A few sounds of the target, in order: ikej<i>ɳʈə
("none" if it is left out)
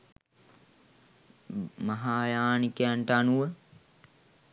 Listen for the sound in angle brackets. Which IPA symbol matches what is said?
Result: a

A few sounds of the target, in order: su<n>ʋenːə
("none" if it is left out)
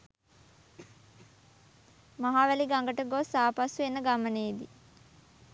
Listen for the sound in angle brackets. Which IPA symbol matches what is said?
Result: none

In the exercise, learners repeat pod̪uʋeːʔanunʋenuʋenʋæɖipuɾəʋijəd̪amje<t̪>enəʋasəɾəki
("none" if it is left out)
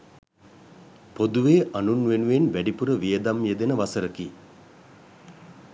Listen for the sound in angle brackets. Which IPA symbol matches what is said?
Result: d̪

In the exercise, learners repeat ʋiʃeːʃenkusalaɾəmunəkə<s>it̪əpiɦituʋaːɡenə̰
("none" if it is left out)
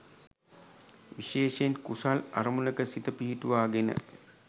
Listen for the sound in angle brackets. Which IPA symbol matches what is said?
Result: s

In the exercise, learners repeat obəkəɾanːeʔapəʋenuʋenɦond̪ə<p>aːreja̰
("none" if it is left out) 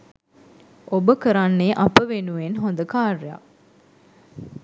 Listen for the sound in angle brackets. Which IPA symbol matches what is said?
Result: k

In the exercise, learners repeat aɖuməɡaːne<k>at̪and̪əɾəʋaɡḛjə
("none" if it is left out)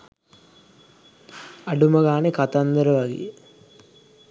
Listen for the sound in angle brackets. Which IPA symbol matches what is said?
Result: k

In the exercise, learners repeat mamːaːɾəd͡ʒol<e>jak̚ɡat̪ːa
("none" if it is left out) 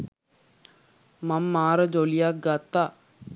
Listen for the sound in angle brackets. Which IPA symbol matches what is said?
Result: i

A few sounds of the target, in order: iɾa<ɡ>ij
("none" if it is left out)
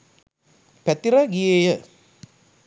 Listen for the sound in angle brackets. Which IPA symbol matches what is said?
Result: ɡ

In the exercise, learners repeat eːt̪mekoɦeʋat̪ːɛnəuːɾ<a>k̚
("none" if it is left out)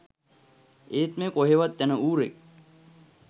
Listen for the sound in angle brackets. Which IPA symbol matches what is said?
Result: e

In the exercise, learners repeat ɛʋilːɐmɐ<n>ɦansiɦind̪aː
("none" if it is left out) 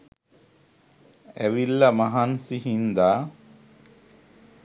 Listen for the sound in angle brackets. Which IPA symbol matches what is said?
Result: none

